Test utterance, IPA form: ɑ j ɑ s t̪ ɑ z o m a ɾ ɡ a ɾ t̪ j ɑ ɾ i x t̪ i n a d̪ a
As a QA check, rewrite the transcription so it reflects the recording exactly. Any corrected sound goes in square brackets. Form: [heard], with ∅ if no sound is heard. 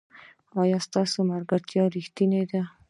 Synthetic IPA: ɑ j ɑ s t̪ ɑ [s] o m a ɾ ɡ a ɾ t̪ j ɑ ɾ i x t̪ i n [e] d̪ a